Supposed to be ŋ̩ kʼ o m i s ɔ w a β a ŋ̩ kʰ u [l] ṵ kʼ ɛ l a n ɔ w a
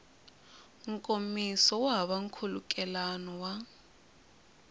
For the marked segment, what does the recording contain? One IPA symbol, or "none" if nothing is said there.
l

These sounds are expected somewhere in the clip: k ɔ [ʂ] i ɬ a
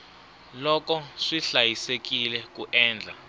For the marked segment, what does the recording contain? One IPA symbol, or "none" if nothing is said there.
ʂ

